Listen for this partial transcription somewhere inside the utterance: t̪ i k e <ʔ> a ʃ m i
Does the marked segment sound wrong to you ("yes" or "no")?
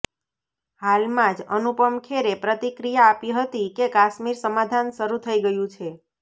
yes